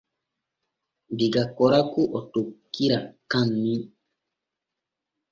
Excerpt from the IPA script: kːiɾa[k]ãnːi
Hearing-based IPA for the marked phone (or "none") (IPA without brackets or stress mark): k